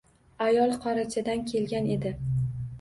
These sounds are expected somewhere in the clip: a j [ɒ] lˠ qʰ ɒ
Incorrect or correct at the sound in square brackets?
correct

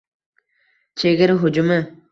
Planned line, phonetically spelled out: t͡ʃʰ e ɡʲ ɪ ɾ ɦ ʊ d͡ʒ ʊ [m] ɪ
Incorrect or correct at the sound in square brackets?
correct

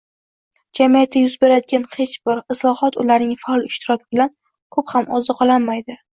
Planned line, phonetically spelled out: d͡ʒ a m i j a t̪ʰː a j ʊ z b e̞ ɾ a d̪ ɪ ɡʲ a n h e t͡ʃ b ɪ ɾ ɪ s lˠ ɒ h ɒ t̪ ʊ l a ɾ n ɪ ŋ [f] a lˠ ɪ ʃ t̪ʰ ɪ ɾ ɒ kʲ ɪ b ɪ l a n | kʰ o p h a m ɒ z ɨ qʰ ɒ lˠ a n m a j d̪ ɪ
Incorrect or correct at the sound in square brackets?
correct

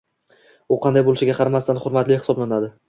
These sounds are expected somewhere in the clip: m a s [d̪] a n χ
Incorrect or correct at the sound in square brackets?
incorrect: t̪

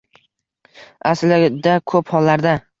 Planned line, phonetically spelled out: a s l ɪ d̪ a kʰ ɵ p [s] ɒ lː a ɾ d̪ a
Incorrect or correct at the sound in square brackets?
incorrect: h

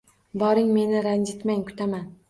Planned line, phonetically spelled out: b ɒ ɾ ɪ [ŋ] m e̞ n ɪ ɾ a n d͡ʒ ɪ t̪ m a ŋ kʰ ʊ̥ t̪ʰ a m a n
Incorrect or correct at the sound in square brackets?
correct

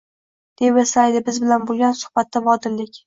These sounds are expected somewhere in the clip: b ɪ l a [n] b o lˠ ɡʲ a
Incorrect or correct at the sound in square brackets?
correct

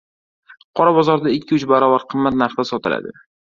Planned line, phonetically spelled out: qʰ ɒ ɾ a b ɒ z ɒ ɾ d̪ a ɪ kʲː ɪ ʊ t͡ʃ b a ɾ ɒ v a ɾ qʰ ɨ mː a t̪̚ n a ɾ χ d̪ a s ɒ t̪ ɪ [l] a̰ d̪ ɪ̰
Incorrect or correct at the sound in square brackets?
correct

